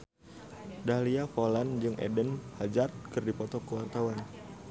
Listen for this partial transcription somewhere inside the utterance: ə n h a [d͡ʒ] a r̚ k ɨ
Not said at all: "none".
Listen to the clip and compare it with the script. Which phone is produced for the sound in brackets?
d͡ʒ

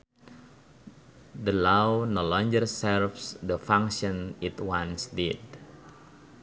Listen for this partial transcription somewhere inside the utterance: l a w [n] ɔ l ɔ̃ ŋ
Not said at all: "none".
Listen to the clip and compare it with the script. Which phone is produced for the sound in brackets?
n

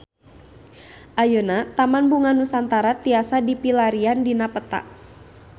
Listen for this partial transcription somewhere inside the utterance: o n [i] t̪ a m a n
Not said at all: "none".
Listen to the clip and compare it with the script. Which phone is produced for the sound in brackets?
a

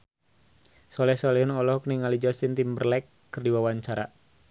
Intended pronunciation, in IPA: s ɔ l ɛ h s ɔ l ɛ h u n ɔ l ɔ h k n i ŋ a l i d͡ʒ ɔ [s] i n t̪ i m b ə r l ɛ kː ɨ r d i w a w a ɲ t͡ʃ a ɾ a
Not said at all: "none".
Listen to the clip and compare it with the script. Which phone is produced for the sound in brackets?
s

